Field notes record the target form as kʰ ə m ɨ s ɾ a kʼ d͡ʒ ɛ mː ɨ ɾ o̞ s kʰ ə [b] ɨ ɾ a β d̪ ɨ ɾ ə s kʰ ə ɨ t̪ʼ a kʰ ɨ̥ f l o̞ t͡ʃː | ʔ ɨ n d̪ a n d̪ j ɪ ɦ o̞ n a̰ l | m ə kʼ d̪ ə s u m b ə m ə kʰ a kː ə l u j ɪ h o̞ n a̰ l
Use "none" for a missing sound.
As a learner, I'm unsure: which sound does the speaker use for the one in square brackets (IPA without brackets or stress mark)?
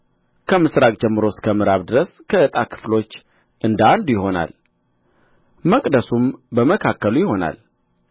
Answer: m